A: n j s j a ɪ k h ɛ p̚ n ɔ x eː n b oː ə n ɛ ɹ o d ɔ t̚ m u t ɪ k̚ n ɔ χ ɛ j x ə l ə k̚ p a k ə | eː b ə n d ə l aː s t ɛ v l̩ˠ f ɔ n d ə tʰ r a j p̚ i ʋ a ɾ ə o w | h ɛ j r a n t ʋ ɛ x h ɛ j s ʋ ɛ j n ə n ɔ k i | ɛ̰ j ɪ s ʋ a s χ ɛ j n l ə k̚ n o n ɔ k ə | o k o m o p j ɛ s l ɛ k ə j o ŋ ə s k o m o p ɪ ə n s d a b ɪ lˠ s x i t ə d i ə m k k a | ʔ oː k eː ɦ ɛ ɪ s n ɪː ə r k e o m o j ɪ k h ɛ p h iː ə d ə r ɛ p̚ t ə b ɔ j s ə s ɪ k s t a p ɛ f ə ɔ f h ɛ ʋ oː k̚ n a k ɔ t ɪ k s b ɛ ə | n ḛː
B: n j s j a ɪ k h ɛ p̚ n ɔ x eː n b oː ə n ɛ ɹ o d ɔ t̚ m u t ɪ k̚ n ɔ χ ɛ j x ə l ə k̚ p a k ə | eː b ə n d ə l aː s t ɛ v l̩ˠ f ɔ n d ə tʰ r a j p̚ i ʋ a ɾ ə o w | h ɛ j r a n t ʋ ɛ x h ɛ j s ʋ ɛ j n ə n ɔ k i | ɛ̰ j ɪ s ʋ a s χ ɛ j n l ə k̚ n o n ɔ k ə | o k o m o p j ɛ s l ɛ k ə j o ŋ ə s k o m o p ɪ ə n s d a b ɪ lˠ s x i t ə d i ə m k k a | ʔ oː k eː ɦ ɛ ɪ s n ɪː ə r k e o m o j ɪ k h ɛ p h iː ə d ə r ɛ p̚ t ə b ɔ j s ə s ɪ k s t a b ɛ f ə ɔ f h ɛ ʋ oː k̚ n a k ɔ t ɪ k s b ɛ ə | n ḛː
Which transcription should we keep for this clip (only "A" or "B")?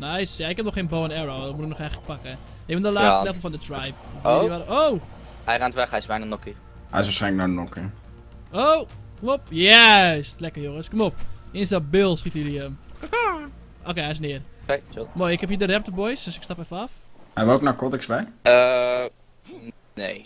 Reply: A